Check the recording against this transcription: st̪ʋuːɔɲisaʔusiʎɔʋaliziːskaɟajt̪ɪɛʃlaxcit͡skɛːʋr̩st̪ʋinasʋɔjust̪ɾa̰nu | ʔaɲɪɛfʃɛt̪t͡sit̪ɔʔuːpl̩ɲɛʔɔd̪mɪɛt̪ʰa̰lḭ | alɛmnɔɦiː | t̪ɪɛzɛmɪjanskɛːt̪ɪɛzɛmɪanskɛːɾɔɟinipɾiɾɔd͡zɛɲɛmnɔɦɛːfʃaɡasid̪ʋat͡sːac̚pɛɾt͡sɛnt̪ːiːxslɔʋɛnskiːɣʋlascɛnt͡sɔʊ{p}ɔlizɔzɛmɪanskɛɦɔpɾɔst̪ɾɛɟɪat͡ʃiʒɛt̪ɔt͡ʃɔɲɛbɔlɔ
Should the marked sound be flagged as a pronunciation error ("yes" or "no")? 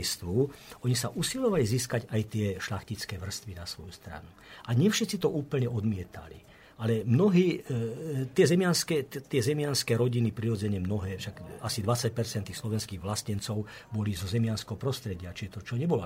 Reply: yes